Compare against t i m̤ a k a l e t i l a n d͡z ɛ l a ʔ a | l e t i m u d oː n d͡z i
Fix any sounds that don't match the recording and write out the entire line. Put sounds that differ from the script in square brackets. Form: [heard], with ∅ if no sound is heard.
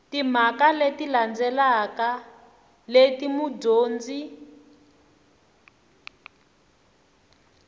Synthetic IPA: t i m̤ a k a l e t i l a n d͡z ɛ l a [k] a | l e t i m u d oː n d͡z i